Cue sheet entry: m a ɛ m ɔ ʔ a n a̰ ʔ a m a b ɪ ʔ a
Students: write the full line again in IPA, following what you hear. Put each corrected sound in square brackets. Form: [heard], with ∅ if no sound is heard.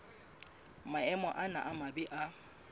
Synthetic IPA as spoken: m a ɛ m ɔ ʔ a n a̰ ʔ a m a b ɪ ʔ a